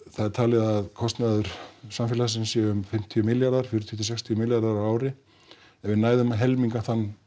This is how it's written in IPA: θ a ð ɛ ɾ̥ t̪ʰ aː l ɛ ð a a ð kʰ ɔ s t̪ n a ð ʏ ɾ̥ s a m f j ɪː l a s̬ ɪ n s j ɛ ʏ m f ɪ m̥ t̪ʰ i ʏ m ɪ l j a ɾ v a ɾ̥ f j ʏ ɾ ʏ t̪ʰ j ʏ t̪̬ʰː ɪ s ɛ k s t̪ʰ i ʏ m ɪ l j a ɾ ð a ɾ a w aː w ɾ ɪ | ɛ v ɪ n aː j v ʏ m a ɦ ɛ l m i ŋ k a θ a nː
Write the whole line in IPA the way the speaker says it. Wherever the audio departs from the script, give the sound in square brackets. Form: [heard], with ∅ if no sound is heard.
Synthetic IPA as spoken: θ a ð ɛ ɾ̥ t̪ʰ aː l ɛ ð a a ð kʰ ɔ s t̪ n a ð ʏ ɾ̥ s a m f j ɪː l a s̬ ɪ n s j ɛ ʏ m f ɪ m̥ t̪ʰ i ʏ m ɪ l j a ɾ [ð] a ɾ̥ f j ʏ ɾ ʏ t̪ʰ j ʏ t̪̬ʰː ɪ s ɛ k s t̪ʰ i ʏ m ɪ l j a ɾ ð a ɾ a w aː w ɾ ɪ | ɛ v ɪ n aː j [ð] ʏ m a ɦ ɛ l m i ŋ k a θ a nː